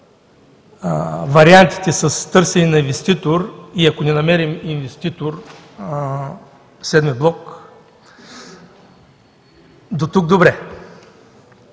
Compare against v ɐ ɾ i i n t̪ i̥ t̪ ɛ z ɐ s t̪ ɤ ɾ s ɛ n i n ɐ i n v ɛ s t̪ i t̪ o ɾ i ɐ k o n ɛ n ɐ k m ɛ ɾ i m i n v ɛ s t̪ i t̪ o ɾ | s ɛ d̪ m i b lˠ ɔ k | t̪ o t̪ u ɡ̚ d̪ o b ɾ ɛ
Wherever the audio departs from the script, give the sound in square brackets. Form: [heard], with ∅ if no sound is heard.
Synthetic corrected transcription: v ɐ ɾ i [a] n t̪ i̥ t̪ ɛ [s] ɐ s t̪ ɤ ɾ s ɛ n i n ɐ i n v ɛ s t̪ i t̪ o ɾ i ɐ k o n ɛ n ɐ [∅] m ɛ ɾ i m i n v ɛ s t̪ i t̪ o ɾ | s ɛ d̪ m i b lˠ ɔ k | [d̪] o t̪ u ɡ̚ d̪ o b ɾ ɛ